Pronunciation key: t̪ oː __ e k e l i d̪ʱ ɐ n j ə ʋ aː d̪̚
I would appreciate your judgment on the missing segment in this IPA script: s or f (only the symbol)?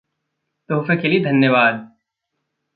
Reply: f